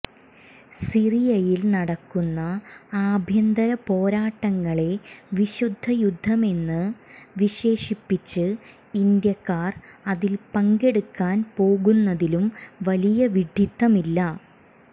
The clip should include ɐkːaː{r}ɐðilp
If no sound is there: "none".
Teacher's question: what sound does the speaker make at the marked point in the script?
r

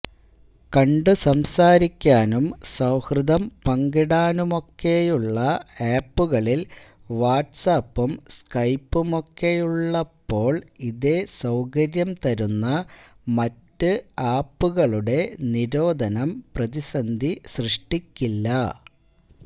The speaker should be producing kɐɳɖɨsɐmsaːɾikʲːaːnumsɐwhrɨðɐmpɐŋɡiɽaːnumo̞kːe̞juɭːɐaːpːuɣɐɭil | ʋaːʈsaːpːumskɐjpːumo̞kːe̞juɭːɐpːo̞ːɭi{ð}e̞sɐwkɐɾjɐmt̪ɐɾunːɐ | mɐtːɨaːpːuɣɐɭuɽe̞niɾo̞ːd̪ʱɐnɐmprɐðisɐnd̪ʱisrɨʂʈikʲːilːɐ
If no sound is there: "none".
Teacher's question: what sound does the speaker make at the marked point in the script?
ð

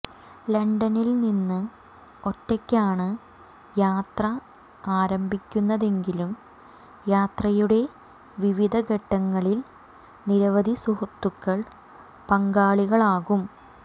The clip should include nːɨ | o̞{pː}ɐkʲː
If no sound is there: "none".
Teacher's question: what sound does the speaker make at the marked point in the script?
tː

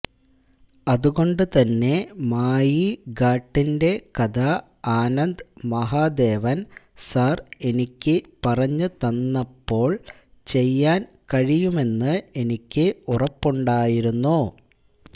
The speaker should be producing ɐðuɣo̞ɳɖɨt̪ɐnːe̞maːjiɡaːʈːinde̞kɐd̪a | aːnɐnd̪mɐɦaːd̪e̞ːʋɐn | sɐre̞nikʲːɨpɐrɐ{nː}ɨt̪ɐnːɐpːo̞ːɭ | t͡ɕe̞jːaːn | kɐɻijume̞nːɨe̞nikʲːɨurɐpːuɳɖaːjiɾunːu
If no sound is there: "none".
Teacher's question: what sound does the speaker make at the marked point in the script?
ɲː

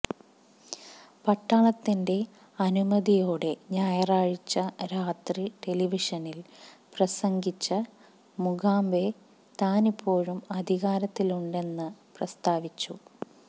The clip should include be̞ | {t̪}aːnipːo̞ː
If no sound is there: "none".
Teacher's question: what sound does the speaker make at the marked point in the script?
t̪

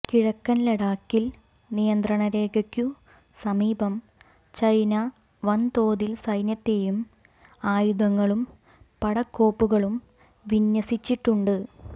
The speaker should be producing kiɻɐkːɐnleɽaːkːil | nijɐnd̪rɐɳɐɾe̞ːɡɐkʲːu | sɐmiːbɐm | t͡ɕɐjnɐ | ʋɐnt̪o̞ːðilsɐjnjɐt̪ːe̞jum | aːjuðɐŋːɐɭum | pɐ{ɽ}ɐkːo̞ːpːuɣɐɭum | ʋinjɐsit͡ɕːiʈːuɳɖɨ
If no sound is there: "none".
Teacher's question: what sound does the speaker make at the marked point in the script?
ɽ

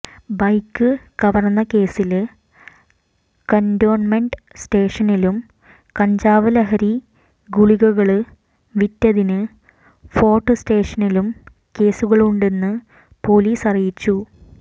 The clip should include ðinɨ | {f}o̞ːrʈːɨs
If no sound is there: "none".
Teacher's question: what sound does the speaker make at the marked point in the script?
f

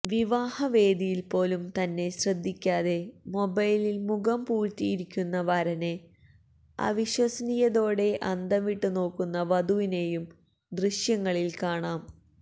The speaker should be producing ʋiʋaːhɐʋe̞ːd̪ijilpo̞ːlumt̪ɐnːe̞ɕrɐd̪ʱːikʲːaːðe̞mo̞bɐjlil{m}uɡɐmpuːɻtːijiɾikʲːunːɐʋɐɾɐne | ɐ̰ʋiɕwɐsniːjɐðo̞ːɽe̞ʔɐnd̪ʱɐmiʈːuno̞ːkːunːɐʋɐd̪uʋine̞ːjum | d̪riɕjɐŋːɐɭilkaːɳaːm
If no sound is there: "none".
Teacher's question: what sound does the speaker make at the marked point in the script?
m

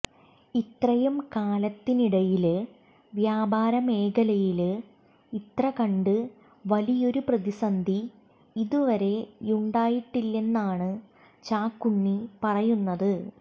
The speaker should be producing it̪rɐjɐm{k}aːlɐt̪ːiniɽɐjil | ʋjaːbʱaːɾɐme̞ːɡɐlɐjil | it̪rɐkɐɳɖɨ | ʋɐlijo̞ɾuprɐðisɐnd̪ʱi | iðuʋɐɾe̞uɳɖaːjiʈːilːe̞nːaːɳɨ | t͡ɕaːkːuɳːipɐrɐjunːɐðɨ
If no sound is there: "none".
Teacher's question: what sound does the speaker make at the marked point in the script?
k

